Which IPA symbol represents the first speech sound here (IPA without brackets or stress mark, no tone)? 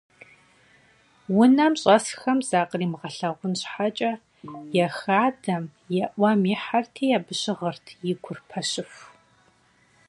w